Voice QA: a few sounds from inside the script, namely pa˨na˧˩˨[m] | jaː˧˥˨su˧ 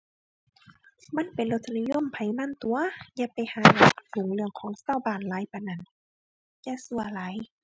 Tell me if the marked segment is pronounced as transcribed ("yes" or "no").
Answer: no